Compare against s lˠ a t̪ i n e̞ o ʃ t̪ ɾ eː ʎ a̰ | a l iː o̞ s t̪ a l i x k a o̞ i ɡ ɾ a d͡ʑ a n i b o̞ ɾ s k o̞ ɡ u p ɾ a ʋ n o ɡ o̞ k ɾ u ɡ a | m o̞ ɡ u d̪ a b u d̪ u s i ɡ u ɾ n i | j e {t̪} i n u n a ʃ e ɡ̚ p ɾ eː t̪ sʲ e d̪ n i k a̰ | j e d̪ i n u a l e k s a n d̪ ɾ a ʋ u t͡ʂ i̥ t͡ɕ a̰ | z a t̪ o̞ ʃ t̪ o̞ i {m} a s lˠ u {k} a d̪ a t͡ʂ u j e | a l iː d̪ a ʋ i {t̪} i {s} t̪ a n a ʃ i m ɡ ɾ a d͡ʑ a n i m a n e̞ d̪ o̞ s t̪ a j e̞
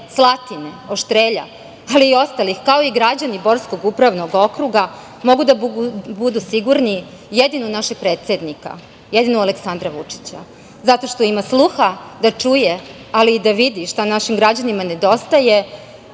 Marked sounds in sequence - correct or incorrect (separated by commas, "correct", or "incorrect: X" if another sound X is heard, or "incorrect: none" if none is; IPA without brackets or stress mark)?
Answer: incorrect: d̪, correct, incorrect: x, incorrect: d̪, incorrect: ʃ